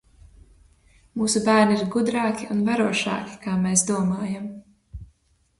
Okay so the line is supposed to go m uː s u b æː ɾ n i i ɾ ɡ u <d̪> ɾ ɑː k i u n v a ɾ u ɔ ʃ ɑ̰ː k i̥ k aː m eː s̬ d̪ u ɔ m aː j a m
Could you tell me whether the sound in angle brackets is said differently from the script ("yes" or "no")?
no